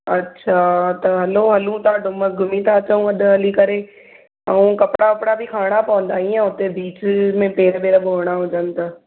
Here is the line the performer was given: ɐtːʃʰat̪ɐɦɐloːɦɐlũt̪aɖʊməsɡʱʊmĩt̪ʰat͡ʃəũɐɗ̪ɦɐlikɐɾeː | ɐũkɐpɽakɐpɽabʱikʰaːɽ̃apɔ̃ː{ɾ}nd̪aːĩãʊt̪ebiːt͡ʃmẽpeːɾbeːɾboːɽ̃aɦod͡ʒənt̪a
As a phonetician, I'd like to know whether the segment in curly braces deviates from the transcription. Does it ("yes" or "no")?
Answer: yes